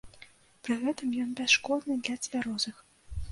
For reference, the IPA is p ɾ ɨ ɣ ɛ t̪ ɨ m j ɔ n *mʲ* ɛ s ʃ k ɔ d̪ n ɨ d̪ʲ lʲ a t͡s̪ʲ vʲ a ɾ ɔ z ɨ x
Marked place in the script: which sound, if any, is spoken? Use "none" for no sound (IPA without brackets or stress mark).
bʲ